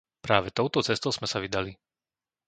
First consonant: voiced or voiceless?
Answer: voiceless